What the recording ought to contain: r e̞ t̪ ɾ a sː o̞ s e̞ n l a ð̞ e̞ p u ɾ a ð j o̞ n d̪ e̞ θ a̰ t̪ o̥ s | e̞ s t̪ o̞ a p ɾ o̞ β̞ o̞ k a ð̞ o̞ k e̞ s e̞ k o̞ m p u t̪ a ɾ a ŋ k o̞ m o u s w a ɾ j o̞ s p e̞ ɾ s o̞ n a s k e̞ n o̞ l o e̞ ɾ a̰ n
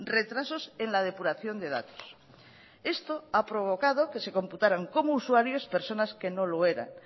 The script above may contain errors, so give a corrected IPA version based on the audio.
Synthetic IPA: r e̞ t̪ ɾ a s o̞ s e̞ n l a ð̞ e̞ p u ɾ a θ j o̞ n d̪ e̞ ð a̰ t̪ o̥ s | e̞ s t̪ o̞ a p ɾ o̞ β̞ o̞ k a ð̞ o̞ k e̞ s e̞ k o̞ m p u t̪ a ɾ a ŋ k o̞ m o u s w a ɾ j o̞ s p e̞ ɾ s o̞ n a s k e̞ n o̞ l o e̞ ɾ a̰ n

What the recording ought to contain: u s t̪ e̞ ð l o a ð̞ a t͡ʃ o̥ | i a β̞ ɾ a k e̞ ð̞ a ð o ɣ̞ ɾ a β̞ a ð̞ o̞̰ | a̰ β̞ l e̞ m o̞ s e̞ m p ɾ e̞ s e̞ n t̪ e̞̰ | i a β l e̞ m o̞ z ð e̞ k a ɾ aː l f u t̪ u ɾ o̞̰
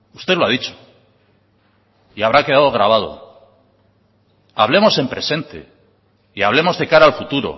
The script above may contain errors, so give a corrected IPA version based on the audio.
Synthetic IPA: u s t̪ e̞ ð l o a ð̞ i t͡ʃ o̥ | i a β̞ ɾ a k e̞ ð̞ a ð o ɣ̞ ɾ a β̞ a ð̞ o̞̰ | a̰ β̞ l e̞ m o̞ s e̞ m p ɾ e̞ s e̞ n t̪ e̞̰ | i a β l e̞ m o̞ z ð e̞ k a ɾ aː l f u t̪ u ɾ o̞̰

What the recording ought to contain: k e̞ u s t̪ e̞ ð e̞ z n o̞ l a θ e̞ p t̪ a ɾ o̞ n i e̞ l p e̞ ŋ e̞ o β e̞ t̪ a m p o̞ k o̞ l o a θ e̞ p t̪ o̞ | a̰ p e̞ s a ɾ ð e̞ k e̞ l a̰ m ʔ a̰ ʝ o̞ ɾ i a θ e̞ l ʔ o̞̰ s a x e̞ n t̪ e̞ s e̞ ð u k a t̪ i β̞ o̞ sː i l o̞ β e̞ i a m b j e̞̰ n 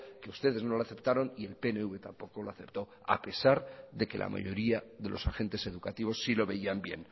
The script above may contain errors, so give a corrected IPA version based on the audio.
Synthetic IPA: k e̞ u s t̪ e̞ ð e̞ z n o̞ l a θ e̞ p t̪ a ɾ o̞ n i e̞ l p e̞ n e̞ u β e̞ t̪ a m p o̞ k o̞ l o a θ e̞ p t̪ o̞ | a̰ p e̞ s a ɾ ð e̞ k e̞ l a̰ m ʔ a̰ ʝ o̞ ɾ i a ð e̞ l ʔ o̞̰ s a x e̞ n t̪ e̞ s e̞ ð u k a t̪ i β̞ o̞ sː i l o̞ β e̞ i a m b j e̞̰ n

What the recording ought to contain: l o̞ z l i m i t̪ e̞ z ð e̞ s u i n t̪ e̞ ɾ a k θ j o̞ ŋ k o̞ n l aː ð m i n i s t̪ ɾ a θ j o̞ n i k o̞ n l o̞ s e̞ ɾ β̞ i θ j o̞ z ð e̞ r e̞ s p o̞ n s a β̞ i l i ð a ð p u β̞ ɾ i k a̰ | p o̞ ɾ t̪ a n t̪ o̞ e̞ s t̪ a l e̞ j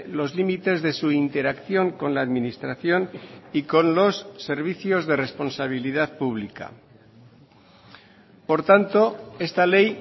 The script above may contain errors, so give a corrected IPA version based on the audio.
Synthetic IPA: l o̞ z l i m i t̪ e̞ z ð e̞ s u i n t̪ e̞ ɾ a k θ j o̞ ŋ k o̞ n l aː ð m i n i s t̪ ɾ a θ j o̞ n i k o̞ n l o̞ sː e̞ ɾ β̞ i θ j o̞ z ð e̞ r e̞ s p o̞ n s a β̞ i l i ð a ð p u β̞ l i k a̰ | p o̞ ɾ t̪ a n t̪ o̞ e̞ s t̪ a l e̞ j

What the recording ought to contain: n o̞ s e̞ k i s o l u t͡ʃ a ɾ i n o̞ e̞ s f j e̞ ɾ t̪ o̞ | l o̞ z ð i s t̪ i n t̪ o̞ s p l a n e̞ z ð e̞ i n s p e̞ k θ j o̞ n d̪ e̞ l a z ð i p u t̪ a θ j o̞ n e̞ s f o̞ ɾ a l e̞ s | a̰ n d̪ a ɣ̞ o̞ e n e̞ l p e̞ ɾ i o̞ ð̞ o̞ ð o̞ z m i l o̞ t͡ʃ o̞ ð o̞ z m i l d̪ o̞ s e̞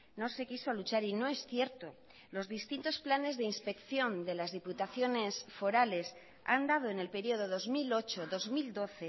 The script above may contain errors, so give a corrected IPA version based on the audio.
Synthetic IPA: n o̞ s e̞ k i s o l u t͡ʃ a ɾ i n o̞ e̞ s θ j e̞ ɾ t̪ o̞ | l o̞ z ð i s t̪ i n t̪ o̞ s p l a n e̞ z ð e̞ i n s p e̞ k θ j o̞ n d̪ e̞ l a z ð i p u t̪ a θ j o̞ n e̞ s f o̞ ɾ a l e̞ s | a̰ n d̪ a ð̞ o̞ e n e̞ l p e̞ ɾ i o̞ ð̞ o̞ ð o̞ z m i l o̞ t͡ʃ o̞ ð o̞ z m i l d̪ o̞ θ e̞

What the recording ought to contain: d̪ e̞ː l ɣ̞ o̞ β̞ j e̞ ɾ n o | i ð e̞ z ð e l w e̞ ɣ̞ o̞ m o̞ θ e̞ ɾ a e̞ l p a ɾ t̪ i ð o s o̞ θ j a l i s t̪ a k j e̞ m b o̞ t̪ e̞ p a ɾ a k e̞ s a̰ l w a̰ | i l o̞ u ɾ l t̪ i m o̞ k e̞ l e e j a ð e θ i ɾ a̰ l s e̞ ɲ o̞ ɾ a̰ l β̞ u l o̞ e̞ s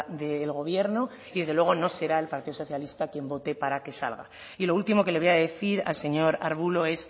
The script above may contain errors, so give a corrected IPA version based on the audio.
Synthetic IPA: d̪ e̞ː l ɣ̞ o̞ β̞ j e̞ ɾ n o | i ð e̞ z ð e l w e̞ ɣ̞ o̞ n o̞ s e̞ ɾ a e̞ l p a ɾ t̪ i ð o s o̞ θ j a l i s t̪ a k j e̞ m b o̞ t̪ e̞ p a ɾ a k e̞ s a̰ l ɣ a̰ | i l o̞ u l t̪ i m o̞ k e̞ l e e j a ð e θ i ɾ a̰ l s e̞ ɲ o̞ ɾ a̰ ɾ β̞ u l o̞ e̞ s

